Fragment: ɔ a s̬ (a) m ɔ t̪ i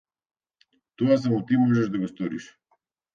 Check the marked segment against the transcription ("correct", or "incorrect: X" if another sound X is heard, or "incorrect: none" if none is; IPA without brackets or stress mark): correct